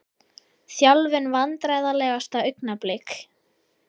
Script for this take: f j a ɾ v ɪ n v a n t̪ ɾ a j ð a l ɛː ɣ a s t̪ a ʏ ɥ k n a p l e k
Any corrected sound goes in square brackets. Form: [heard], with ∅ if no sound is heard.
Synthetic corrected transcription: [θ] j a [l] v ɪ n v a n t̪ ɾ a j ð a l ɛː ɣ a s t̪ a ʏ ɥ k n a p l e k